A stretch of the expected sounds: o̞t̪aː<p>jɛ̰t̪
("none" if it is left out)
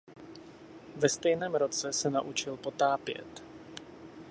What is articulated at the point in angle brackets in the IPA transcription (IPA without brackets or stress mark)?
p